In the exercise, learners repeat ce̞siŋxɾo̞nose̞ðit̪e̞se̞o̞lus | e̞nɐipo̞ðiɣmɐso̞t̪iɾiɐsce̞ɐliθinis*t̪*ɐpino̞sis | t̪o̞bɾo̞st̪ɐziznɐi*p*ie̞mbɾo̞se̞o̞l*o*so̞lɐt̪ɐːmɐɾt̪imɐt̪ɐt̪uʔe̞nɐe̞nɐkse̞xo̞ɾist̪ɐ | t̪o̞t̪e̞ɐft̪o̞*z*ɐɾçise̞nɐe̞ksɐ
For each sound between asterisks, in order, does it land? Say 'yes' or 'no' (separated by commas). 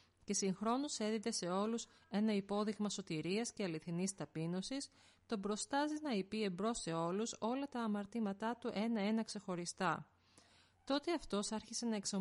yes, yes, no, no